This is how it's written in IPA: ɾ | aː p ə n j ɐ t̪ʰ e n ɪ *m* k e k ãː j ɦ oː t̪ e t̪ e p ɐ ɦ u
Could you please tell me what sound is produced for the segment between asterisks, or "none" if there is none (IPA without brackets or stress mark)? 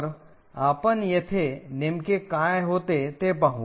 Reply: m